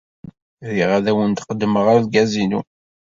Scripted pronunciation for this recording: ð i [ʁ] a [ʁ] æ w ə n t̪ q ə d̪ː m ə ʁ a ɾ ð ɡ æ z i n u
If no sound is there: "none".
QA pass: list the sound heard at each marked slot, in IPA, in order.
ʁ, ð

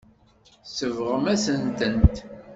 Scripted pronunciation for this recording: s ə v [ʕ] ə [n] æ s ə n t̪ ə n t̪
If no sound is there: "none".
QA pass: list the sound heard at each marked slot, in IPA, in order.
ʁ, m

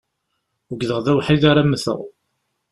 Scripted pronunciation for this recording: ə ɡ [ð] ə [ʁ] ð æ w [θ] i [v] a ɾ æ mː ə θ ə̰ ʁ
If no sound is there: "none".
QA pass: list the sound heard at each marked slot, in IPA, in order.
ð, ʁ, ħ, ð

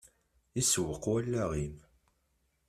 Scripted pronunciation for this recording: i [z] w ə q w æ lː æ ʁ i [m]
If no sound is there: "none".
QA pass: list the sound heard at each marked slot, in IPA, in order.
s, m

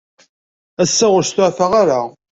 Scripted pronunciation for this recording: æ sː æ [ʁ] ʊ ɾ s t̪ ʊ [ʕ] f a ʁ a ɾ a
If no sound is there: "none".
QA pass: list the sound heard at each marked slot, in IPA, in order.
ʁ, ʕ

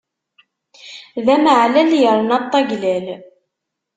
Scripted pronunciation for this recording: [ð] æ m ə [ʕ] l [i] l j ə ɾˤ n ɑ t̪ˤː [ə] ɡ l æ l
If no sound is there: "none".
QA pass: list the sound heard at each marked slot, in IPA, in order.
ð, ʕ, æ, ɑ

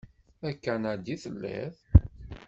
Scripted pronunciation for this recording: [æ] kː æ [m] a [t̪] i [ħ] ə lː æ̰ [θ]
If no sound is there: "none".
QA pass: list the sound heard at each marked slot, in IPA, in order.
æ, n, d̪, θ, θ

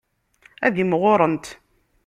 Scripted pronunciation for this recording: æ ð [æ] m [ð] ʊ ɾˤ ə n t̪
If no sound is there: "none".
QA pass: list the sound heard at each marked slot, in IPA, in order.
i, ʁ

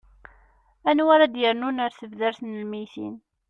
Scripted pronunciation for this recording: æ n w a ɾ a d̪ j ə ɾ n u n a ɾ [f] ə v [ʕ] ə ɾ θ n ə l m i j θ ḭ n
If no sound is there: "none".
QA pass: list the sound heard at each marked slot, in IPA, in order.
θ, ð

